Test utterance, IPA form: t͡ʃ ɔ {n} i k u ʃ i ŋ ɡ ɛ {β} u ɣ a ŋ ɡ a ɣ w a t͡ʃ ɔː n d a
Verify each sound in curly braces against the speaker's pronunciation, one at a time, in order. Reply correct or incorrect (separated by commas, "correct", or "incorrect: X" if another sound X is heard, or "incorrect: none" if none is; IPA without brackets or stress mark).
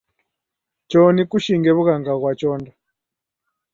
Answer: correct, correct